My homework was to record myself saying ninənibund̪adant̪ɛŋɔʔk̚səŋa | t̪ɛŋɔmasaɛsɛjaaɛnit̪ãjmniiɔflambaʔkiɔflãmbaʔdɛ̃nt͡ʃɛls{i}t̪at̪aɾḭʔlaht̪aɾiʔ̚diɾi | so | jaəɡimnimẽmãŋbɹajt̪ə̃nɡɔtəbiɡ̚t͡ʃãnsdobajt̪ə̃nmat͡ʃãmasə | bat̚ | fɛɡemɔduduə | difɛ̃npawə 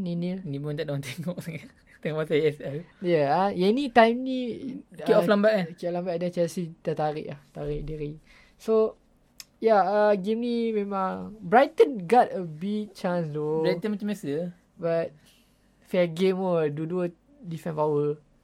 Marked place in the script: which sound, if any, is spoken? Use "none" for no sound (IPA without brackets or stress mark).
i